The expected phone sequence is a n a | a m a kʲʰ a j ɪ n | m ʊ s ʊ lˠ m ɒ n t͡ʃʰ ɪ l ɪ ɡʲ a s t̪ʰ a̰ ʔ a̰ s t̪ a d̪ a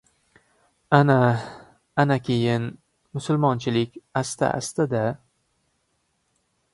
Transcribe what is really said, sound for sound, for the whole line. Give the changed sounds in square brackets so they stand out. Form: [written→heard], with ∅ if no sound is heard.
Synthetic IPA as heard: a n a | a [m→n] a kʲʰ [a→e] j ɪ n | m ʊ s ʊ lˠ m ɒ n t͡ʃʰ ɪ l ɪ [ɡʲ→kʲ] a s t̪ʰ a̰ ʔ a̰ s t̪ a d̪ a